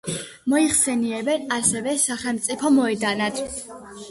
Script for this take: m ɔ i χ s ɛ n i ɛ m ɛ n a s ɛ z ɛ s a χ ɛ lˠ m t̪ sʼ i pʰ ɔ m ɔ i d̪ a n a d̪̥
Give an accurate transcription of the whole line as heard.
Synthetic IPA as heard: m ɔ i χ s ɛ n i ɛ b ɛ n a s ɛ v ɛ s a χ ɛ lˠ m t̪ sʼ i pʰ ɔ m ɔ ɛ d̪ a n a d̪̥